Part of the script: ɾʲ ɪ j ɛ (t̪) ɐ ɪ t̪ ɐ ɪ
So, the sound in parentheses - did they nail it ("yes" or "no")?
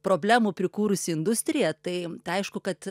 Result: yes